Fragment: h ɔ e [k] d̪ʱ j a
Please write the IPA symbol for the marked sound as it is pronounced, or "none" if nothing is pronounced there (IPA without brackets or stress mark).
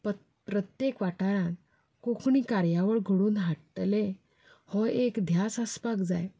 k